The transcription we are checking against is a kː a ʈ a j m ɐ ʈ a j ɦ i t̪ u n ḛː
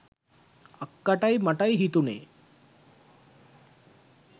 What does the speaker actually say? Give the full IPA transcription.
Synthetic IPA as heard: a kː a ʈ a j m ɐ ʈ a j ɦ i t̪ u n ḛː